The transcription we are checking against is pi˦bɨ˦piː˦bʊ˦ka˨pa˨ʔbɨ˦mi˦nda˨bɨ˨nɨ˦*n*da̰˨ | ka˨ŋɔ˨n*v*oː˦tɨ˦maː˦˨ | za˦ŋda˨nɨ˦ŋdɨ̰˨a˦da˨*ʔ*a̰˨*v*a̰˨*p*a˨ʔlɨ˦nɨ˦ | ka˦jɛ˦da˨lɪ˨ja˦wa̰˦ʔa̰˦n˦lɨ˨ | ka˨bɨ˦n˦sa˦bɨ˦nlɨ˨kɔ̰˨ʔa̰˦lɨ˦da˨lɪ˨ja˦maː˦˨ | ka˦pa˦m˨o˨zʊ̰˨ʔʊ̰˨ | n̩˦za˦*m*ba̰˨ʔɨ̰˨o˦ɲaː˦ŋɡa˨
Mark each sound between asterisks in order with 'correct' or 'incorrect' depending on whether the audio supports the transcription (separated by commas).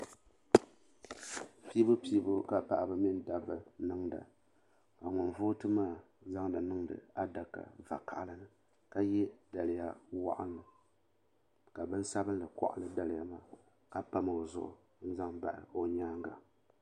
incorrect, correct, incorrect, correct, incorrect, incorrect